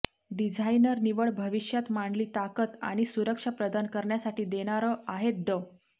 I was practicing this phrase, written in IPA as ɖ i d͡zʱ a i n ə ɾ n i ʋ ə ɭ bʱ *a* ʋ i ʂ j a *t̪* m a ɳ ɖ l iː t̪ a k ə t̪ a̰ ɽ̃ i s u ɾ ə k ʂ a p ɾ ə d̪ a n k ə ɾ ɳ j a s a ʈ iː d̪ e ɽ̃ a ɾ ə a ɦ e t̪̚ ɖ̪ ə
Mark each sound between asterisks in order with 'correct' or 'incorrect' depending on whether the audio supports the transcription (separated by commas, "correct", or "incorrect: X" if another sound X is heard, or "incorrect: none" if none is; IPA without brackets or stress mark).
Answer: incorrect: ə, correct